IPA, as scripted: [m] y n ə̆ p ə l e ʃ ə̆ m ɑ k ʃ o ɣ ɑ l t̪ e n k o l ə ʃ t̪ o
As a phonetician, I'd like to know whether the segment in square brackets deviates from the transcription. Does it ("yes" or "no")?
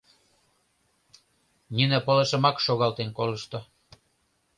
yes